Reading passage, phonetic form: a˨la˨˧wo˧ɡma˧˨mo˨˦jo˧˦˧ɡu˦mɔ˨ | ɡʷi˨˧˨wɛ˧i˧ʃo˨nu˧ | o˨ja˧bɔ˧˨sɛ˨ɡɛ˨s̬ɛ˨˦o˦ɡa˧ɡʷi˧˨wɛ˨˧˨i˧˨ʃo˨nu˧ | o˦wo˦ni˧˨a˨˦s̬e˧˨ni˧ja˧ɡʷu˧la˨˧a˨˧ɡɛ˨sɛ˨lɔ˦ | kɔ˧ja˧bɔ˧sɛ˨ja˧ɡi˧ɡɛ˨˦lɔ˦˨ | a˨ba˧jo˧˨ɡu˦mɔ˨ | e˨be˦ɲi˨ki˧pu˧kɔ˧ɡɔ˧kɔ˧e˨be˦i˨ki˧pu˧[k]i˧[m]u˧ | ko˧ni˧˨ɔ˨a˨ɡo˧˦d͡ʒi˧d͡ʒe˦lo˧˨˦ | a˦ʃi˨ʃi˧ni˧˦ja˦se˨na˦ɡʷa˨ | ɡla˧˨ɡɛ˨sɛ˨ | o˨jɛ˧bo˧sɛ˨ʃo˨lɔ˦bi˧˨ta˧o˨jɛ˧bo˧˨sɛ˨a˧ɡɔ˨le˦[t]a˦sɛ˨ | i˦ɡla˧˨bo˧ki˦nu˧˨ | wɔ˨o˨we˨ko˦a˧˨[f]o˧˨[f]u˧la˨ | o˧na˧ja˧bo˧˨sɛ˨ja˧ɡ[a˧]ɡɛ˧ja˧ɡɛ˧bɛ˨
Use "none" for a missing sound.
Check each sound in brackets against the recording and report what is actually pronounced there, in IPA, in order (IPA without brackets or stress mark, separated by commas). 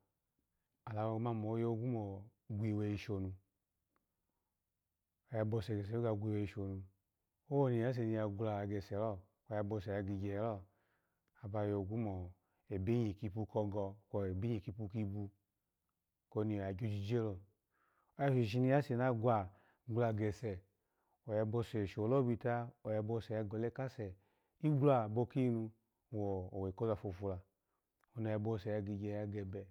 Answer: k, b, k, f, f, i˧